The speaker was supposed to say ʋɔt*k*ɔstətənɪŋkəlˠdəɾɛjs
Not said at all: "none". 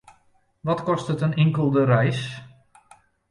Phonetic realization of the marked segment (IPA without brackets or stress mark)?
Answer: k